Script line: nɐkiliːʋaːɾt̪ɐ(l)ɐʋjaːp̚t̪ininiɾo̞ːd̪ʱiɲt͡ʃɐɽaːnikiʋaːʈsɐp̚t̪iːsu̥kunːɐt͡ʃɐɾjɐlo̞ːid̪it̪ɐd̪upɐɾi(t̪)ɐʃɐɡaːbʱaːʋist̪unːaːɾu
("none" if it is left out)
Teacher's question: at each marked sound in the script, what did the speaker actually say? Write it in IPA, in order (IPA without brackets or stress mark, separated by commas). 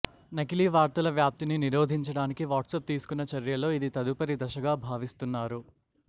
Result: l, d̪